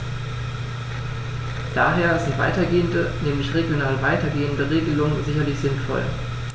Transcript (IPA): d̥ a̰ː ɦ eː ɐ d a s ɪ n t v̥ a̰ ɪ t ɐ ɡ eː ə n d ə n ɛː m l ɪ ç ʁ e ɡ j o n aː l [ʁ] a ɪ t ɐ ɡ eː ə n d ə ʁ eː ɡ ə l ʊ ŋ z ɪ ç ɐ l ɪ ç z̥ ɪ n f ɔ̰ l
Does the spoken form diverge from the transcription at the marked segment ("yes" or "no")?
yes